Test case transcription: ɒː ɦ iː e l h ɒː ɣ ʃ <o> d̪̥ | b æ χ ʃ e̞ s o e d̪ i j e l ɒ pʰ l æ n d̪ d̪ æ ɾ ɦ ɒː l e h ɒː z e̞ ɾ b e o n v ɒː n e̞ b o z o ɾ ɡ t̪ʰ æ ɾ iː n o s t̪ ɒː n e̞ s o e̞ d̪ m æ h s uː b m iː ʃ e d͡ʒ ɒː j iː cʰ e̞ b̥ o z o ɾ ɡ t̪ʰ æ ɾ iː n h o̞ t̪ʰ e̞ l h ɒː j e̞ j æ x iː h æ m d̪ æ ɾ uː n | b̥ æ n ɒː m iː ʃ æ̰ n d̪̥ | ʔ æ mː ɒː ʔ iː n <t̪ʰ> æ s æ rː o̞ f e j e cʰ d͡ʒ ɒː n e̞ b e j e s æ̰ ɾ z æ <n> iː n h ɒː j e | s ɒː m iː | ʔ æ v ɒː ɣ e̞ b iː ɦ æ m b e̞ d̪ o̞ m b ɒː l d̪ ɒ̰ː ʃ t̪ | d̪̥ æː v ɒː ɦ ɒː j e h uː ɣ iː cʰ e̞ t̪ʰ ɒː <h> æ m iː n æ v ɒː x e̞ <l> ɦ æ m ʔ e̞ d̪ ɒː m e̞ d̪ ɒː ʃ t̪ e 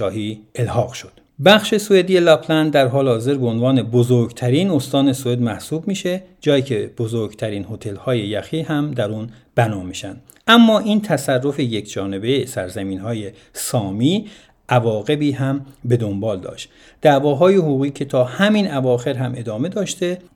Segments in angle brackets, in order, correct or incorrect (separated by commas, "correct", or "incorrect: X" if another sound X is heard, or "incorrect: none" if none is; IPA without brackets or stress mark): correct, correct, incorrect: m, correct, incorrect: ɾ